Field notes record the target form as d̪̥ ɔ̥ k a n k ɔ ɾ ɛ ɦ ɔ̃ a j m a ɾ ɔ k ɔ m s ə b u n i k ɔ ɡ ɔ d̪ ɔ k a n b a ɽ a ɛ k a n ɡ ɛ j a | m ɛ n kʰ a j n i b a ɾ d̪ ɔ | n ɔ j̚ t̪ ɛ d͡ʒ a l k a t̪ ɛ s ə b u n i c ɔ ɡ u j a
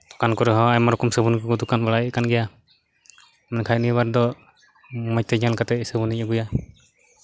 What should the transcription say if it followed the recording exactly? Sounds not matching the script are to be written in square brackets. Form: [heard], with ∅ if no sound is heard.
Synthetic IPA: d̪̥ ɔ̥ k a n k ɔ ɾ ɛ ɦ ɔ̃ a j m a ɾ ɔ k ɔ m s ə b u n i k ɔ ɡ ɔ d̪ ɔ k a n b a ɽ a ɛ k a n ɡ ɛ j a | m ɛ n kʰ a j n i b a ɾ d̪ ɔ | [m] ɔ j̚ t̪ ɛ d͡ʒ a l k a t̪ ɛ s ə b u n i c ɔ ɡ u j a

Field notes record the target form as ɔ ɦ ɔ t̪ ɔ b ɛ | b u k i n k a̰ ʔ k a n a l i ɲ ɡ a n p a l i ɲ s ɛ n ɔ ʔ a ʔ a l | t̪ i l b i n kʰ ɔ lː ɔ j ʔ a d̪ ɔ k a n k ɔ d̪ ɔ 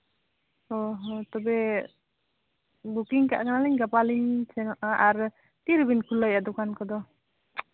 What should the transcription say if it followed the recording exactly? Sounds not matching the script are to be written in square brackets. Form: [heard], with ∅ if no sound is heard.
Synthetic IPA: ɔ ɦ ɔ t̪ ɔ b ɛ | b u k i [ŋ] k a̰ ʔ k a n a l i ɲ ɡ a [∅] p a l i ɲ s ɛ n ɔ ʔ a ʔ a [ɾ] | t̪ i [ɾ] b i n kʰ [u] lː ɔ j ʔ a d̪ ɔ k a n k ɔ d̪ ɔ

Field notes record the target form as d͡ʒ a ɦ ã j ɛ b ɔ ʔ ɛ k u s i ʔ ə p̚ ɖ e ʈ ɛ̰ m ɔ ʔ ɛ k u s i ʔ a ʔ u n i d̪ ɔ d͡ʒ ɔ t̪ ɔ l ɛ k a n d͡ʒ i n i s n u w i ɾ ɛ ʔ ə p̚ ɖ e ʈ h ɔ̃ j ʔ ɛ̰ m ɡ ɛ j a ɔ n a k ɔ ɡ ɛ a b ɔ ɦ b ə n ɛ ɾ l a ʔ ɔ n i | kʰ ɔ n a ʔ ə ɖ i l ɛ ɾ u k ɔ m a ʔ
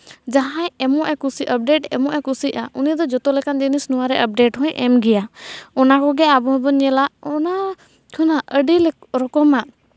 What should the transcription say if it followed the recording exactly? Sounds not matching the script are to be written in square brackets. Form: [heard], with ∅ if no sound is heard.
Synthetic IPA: d͡ʒ a ɦ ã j ɛ [m] ɔ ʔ ɛ k u s i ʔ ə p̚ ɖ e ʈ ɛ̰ m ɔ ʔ ɛ k u s i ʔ a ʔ u n i d̪ ɔ d͡ʒ ɔ t̪ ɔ l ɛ k a n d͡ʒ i n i s n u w [a] ɾ ɛ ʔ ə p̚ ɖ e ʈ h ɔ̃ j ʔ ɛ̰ m ɡ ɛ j a ɔ n a k ɔ ɡ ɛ a b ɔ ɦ b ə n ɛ [∅] l a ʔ ɔ n [a] | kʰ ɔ n a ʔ ə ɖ i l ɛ ɾ [ɔ] k ɔ m a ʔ

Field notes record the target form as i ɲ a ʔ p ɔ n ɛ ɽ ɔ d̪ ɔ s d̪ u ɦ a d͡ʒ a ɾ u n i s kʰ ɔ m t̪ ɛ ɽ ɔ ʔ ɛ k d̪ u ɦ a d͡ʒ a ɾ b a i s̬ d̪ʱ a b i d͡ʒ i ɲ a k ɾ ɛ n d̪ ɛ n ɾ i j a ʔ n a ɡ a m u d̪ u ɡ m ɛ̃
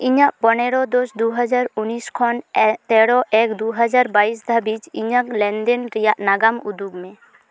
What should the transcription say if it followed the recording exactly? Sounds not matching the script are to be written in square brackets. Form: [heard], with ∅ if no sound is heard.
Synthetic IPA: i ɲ a ʔ p ɔ n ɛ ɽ ɔ d̪ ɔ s d̪ u ɦ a d͡ʒ a ɾ u n i s kʰ ɔ [n] t̪ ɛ ɽ ɔ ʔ ɛ k d̪ u ɦ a d͡ʒ a ɾ b a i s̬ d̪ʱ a b i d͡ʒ i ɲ a k [l] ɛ n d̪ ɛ n ɾ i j a ʔ n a ɡ a m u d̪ u ɡ m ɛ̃

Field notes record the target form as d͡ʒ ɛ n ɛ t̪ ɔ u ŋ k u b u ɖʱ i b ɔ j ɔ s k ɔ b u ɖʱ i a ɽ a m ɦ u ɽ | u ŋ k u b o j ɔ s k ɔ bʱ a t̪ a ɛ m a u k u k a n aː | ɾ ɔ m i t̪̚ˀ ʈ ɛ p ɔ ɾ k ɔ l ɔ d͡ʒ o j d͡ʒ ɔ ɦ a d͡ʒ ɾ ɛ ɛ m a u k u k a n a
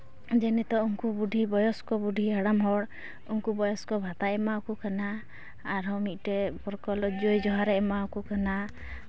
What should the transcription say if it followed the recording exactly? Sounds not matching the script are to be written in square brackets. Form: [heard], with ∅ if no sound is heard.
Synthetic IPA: d͡ʒ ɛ n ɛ t̪ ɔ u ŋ k u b u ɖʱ i b ɔ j ɔ s k ɔ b u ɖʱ i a ɽ a m ɦ [ɔ] ɽ | u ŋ k u b [ɔ] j ɔ s k ɔ bʱ a t̪ a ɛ m a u k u k a n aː | ɾ ɔ m i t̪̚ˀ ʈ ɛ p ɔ ɾ k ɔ l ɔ d͡ʒ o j d͡ʒ ɔ ɦ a [∅] ɾ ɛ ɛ m a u k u k a n a

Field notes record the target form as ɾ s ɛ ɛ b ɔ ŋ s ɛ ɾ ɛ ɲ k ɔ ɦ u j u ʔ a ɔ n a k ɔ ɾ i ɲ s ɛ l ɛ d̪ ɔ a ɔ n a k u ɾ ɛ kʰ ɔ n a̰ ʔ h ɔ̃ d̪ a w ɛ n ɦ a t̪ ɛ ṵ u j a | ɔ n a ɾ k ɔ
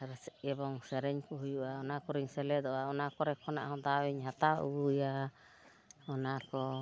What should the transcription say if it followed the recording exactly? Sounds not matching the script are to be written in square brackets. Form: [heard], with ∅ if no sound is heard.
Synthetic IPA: ɾ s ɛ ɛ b ɔ ŋ s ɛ ɾ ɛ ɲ k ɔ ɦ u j u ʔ a ɔ n a k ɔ ɾ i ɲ s ɛ l ɛ d̪ ɔ a ɔ n a k [ɔ] ɾ ɛ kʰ ɔ n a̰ ʔ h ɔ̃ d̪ a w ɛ [ɲ] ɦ a t̪ [a] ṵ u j a | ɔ n a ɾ k ɔ

